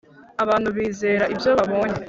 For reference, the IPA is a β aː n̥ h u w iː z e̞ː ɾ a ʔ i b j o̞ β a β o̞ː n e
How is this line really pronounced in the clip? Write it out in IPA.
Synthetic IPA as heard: a β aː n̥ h u β iː z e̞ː ɾ a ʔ i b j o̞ β a β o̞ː ɲ e